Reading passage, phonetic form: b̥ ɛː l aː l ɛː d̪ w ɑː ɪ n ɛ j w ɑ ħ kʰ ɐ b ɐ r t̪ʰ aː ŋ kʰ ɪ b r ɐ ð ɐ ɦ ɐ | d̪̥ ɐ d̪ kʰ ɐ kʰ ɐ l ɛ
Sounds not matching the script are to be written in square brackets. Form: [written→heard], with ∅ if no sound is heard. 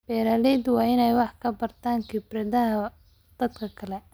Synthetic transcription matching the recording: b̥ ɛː [l→ɾ] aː l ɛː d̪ w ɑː ɪ n ɛ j w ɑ ħ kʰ ɐ b ɐ r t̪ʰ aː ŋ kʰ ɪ b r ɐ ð ɐ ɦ ɐ | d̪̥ ɐ d̪ kʰ ɐ kʰ ɐ l ɛ

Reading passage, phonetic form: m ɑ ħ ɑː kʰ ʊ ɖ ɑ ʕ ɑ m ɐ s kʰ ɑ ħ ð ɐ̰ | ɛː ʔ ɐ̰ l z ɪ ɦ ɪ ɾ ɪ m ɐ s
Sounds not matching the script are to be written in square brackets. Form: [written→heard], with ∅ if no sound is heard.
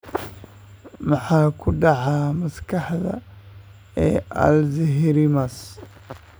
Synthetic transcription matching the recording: m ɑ ħ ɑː kʰ ʊ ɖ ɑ ʕ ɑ m ɐ s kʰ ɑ ħ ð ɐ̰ | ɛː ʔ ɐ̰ l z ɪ ɦ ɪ ɾ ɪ m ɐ s

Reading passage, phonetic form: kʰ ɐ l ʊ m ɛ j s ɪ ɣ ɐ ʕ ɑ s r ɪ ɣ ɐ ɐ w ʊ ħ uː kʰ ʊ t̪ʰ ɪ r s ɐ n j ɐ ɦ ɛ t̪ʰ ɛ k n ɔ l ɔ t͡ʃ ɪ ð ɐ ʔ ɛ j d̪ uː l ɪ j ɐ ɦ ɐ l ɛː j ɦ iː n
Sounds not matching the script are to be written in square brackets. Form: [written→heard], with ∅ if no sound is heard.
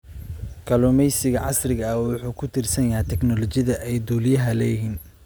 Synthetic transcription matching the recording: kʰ ɐ l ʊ m ɛ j s ɪ ɣ ɐ ʕ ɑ s r ɪ ɣ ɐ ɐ w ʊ ħ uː kʰ ʊ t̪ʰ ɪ r s ɐ n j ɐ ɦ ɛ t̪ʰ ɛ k n ɔ l ɔ t͡ʃ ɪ ð ɐ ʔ ɛ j d̪ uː l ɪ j ɐ ɦ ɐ l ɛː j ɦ iː n

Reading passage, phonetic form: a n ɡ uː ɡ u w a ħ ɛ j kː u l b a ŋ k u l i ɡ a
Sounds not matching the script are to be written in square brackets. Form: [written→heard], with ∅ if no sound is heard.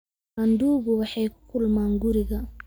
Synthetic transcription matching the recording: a n [ɡ→d] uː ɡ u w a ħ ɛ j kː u l [b→m] a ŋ [k→ɡ] u [l→ɾ] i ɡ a

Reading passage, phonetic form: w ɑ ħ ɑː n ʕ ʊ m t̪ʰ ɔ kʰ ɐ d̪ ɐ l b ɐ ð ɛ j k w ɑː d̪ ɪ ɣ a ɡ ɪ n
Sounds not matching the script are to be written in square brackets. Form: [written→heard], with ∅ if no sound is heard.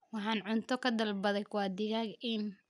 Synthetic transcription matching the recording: w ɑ ħ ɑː n ʕ ʊ [m→n] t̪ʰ ɔ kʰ ɐ d̪ ɐ l b ɐ ð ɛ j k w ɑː d̪ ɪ ɣ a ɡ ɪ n

